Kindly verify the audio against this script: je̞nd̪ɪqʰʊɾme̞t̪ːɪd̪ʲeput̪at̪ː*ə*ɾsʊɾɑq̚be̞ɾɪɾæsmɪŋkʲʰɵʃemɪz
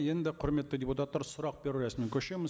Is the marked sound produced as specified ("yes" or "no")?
no